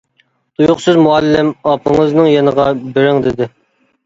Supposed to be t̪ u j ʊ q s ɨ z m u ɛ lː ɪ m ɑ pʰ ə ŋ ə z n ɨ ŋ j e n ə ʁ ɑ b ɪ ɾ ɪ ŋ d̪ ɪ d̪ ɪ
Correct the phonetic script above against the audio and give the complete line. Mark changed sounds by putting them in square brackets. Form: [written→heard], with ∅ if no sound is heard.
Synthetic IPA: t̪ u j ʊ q s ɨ z m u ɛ lː ɪ m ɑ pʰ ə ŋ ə z n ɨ ŋ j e n ə ʁ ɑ b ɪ ɾ ɪ ŋ d̪ ɪ d̪ ɪ